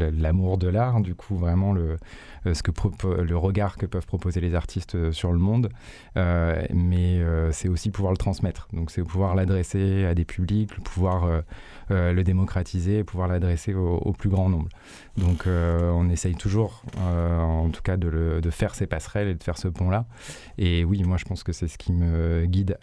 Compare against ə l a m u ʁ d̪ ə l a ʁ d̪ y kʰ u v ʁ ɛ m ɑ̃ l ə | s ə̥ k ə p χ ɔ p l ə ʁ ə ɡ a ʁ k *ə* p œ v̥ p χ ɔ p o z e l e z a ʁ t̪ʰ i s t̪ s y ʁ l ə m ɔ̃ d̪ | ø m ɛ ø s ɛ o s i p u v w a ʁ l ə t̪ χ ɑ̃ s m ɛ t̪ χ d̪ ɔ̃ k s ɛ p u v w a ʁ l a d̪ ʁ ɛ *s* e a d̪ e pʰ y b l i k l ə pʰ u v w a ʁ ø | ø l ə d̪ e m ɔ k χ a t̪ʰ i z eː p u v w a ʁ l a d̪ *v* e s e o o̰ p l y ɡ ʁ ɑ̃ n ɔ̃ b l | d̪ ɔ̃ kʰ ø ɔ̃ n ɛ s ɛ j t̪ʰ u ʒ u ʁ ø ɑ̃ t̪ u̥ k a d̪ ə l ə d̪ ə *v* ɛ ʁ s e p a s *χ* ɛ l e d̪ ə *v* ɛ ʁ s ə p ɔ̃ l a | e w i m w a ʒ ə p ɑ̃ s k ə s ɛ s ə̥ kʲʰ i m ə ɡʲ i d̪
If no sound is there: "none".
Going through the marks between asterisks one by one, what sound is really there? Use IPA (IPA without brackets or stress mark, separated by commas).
ə, s, ʁ, f, χ, f